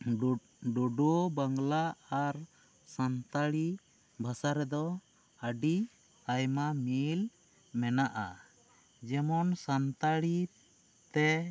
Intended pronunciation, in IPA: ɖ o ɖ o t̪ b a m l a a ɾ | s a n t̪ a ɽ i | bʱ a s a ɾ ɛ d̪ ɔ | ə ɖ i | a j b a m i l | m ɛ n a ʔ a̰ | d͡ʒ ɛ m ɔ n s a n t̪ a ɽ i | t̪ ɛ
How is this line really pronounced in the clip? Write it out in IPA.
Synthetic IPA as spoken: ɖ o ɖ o b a ŋ l a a ɾ | s a n t̪ a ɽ i | bʱ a s a ɾ ɛ d̪ ɔ | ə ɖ i | a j m a m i l | m ɛ n a ʔ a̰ | d͡ʒ ɛ m ɔ n s a n t̪ a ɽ i | t̪ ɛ